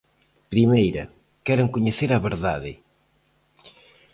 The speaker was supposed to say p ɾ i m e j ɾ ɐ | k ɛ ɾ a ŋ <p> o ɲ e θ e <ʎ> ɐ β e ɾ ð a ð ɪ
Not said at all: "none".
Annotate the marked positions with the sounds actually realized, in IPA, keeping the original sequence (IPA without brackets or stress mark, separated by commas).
k, ɾ